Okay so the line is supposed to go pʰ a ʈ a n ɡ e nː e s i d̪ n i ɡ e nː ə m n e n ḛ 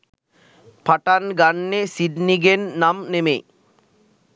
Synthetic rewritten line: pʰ a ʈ a n ɡ a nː e s i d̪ n i ɡ e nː a m n e m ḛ